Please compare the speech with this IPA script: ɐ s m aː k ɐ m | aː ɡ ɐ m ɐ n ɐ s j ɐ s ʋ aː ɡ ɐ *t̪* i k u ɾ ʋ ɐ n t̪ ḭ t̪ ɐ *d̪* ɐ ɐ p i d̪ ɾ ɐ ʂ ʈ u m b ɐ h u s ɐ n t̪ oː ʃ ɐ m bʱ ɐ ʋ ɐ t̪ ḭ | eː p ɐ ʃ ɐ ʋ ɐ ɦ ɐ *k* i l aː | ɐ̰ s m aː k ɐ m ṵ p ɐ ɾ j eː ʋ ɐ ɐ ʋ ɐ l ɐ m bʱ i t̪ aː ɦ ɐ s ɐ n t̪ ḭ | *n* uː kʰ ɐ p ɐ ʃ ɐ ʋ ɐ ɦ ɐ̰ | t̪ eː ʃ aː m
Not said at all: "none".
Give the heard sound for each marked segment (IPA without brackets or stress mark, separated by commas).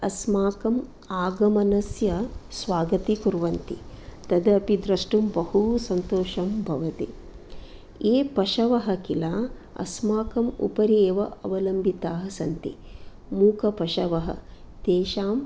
t̪, d̪, k, m